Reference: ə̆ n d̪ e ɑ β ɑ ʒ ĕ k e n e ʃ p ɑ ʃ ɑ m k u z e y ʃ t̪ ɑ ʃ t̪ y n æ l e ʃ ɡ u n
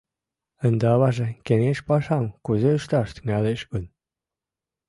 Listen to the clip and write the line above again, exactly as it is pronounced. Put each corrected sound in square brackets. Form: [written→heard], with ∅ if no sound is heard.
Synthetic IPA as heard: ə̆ n d̪ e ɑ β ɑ ʒ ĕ k e n e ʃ p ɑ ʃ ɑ m k u z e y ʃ t̪ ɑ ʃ t̪ y [n→ŋ] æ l e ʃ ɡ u n